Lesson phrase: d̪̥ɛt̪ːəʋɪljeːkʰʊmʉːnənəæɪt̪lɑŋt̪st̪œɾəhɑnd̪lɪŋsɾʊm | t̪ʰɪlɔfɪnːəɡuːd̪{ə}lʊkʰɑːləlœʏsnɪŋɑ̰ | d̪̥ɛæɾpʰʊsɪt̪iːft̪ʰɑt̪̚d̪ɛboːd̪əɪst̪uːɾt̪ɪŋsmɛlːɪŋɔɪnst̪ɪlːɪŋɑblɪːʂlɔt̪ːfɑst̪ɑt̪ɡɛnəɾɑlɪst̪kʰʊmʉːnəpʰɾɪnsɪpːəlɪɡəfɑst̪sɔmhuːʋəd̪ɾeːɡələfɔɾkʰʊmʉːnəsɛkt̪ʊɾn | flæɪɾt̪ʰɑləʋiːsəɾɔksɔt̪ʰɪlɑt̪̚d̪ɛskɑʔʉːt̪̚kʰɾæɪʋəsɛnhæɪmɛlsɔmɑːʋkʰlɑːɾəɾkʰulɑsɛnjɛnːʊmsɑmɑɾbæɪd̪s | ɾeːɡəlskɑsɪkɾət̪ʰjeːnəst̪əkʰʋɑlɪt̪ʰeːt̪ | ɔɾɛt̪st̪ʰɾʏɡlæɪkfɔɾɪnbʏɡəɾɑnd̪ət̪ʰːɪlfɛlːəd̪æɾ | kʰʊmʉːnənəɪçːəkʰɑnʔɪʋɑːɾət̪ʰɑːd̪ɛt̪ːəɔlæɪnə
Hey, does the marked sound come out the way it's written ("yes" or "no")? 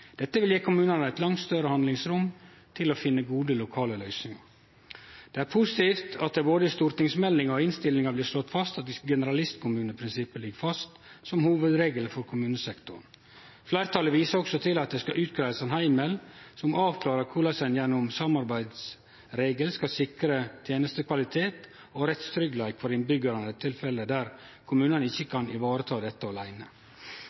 yes